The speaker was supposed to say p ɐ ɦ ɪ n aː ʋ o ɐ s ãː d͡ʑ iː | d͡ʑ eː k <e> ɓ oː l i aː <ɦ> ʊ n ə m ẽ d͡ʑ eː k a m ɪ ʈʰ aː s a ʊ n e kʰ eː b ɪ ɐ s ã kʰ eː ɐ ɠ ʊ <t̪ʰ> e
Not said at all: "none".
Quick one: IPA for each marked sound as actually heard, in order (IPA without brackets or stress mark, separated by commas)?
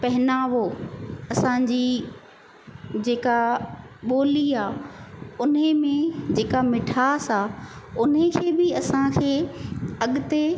a, none, t̪